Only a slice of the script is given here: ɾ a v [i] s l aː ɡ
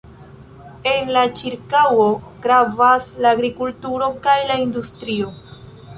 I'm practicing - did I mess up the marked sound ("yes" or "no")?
yes